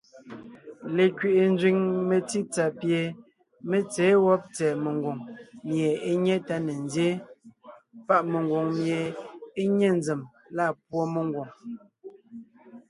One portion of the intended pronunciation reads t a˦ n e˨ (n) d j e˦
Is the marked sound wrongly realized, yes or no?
no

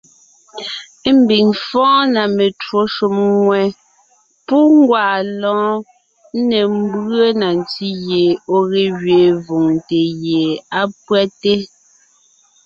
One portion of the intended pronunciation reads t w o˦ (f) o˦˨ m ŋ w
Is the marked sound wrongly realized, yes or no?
yes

